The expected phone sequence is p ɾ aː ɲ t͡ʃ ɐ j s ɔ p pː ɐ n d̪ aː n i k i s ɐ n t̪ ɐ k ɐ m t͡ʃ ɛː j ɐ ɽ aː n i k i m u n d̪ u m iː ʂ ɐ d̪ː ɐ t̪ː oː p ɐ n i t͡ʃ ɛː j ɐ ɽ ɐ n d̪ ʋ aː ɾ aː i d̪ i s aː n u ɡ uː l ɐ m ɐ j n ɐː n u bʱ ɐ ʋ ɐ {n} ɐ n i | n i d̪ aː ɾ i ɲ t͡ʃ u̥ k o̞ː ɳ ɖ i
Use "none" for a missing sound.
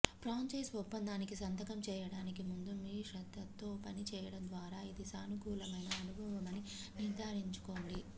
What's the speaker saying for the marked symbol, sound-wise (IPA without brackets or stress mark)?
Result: m